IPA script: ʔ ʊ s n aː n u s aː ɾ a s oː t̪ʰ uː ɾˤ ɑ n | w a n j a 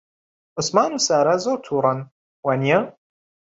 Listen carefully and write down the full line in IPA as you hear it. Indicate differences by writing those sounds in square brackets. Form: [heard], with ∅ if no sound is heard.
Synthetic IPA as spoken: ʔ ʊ s [m] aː n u s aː ɾ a [z] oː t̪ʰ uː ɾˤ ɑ n | w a n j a